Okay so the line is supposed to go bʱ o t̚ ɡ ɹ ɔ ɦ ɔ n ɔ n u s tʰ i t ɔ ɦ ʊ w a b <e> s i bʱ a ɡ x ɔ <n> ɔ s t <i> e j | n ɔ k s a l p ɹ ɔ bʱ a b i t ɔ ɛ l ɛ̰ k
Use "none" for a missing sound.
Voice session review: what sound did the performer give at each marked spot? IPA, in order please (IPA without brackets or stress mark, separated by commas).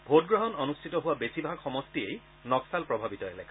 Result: e, m, i